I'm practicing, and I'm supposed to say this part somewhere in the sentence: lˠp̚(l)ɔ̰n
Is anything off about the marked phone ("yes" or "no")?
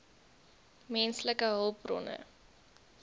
yes